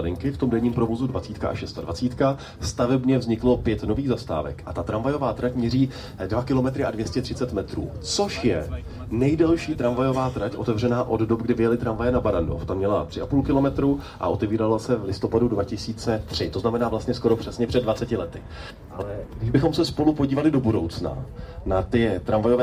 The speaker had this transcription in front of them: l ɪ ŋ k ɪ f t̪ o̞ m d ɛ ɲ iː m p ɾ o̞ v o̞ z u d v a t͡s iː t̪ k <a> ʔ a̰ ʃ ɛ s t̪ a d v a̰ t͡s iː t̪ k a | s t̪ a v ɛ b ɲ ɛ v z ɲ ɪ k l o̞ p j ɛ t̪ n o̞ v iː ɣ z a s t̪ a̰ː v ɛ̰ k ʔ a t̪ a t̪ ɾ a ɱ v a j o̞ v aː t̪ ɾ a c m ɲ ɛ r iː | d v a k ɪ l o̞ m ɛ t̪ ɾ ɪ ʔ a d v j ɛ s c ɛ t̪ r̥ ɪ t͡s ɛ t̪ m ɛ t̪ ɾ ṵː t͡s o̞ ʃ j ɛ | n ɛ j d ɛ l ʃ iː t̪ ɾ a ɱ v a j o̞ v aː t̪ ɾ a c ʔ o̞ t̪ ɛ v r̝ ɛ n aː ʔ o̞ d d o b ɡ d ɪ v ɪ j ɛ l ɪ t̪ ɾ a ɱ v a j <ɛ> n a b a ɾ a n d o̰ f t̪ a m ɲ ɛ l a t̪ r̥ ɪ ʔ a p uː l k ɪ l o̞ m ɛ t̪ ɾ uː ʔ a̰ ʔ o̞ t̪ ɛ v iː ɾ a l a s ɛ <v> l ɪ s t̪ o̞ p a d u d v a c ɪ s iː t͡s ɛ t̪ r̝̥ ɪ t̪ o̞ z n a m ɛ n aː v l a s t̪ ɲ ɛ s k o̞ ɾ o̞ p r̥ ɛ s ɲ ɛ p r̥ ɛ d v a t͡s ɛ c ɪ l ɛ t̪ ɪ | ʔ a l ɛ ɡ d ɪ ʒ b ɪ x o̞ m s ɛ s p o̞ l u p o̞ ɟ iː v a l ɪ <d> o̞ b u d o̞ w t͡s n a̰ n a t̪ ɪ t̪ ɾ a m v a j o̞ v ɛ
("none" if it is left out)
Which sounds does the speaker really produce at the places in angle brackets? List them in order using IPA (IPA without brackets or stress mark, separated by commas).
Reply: a, ɛ, v, d